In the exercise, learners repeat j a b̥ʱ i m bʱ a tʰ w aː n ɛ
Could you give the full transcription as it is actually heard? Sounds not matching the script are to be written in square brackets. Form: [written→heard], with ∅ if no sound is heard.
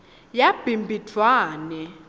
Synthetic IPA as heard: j a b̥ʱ i m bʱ [a→i] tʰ w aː n ɛ